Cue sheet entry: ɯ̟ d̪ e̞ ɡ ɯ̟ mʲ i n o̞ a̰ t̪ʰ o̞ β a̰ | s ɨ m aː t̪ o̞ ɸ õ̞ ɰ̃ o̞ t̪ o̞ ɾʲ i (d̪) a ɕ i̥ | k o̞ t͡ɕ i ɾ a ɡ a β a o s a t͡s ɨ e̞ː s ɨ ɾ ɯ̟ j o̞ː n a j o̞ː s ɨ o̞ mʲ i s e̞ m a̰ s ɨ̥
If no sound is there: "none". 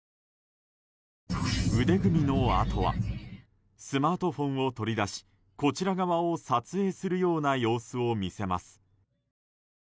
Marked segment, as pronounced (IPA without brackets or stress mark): d̪